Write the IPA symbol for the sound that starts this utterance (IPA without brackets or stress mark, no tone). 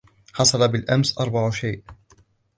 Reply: ħ